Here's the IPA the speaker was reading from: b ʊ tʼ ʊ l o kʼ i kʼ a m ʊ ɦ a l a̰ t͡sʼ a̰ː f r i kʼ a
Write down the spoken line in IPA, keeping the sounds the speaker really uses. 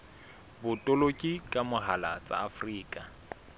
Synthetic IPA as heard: b ʊ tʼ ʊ l o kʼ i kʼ a m ʊ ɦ a l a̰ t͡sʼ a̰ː f r iː kʼ a